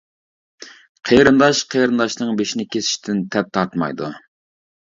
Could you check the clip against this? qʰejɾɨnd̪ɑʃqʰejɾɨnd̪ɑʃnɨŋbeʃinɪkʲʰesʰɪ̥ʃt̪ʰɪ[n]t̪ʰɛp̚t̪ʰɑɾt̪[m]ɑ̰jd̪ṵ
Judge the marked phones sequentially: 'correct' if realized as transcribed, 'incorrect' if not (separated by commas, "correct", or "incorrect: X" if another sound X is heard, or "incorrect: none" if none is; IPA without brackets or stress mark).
correct, correct